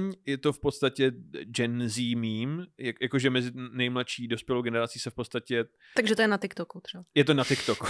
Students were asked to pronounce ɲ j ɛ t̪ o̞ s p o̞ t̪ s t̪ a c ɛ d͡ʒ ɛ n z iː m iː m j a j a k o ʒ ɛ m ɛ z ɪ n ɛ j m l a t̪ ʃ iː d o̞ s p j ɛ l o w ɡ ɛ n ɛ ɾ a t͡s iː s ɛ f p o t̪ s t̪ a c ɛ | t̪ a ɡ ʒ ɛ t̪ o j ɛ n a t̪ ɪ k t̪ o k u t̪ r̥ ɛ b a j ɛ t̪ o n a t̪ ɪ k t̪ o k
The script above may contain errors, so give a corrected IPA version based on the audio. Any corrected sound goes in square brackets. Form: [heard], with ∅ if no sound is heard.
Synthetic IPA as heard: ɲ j ɛ t̪ o̞ [f] p o̞ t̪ s t̪ a c ɛ d͡ʒ ɛ n z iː m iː m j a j a k o ʒ ɛ m ɛ z ɪ n ɛ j m l a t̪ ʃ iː d o̞ s p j ɛ l o w ɡ ɛ n ɛ ɾ a t͡s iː s ɛ f p o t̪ s t̪ a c ɛ | t̪ a ɡ ʒ ɛ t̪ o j ɛ n a t̪ ɪ k t̪ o k u t̪ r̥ ɛ b a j ɛ t̪ o n a t̪ ɪ k t̪ o k